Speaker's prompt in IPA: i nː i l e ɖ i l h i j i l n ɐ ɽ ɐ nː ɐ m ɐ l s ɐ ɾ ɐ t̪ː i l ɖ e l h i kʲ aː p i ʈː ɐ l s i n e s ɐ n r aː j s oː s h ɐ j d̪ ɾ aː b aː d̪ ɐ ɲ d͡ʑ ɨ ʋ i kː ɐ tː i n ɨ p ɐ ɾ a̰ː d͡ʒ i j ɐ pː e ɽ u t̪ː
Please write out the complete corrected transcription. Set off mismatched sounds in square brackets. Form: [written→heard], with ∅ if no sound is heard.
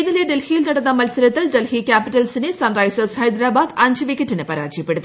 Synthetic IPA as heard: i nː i l e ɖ [i→e] l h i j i l n ɐ ɽ ɐ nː ɐ m ɐ l s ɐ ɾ ɐ t̪ː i l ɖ e l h i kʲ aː p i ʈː ɐ l s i n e s ɐ n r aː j s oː s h ɐ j d̪ ɾ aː b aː d̪ ɐ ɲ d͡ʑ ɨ ʋ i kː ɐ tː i n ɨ p ɐ ɾ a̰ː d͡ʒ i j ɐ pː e ɽ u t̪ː